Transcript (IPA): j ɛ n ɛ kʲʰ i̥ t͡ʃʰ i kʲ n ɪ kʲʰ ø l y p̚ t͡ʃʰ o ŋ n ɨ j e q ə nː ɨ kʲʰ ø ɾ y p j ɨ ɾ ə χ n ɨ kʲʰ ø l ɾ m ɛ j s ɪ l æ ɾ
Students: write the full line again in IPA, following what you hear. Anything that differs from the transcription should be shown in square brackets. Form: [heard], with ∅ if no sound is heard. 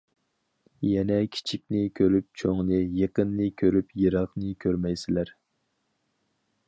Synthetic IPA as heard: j ɛ n ɛ kʲʰ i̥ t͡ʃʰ i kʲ n ɪ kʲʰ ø [ɾ] y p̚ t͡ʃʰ o ŋ n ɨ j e q ə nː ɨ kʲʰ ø ɾ y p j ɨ ɾ [ɑ] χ n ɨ kʲʰ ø [∅] ɾ m ɛ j s ɪ l æ ɾ